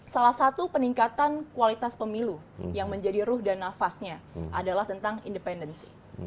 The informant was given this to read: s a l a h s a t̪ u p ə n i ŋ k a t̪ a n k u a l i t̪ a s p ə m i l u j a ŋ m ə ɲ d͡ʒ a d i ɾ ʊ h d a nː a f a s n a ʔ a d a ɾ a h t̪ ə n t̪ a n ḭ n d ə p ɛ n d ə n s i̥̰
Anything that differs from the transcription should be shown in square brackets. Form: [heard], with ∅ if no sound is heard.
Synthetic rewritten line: s a l a h s a t̪ u p ə n i ŋ k a t̪ a n k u a l i t̪ a s p ə m i l u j a ŋ m ə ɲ d͡ʒ a d i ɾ ʊ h d a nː a f a s [ɲ] a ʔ a d a [l] a h t̪ ə n t̪ a [ŋ] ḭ n d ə p ɛ n d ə n s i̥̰